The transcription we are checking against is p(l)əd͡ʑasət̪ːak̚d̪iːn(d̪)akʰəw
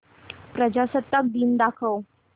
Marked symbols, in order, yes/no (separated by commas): no, yes